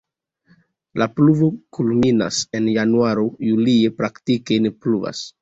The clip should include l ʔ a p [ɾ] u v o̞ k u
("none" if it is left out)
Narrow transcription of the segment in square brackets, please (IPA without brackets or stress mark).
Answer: l